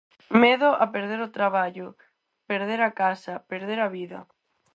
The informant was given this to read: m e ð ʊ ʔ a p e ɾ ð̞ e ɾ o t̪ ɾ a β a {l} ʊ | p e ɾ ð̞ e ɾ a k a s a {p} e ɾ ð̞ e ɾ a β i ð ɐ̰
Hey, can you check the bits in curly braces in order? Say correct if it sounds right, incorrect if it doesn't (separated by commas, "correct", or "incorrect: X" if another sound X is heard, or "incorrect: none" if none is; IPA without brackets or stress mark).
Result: incorrect: ʎ, correct